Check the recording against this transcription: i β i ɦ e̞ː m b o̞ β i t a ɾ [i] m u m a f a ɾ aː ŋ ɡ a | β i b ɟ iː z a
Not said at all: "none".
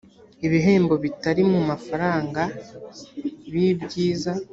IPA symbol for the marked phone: i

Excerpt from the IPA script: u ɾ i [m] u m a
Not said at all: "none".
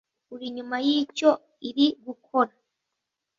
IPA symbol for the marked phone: ɲ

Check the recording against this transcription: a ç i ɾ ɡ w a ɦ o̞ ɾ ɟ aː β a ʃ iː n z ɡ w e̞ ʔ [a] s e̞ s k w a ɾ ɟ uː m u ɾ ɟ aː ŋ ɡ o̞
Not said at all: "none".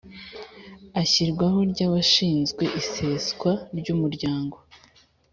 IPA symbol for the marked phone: i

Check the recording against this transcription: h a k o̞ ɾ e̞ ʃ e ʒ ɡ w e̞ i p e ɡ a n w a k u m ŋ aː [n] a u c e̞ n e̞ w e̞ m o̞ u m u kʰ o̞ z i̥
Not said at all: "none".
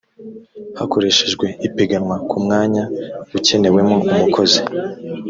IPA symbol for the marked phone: ɲ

